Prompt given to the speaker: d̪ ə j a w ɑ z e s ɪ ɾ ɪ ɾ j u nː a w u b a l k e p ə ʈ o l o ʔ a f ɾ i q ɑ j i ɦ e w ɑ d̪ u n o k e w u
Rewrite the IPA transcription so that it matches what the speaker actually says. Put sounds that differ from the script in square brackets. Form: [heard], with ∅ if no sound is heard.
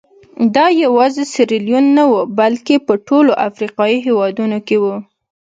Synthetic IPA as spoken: d̪ [ɑ] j a w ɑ z e s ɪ ɾ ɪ [l] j u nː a w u b a l k e p ə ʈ o l o ʔ a f ɾ i q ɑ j i ɦ e w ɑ d̪ u n o k e w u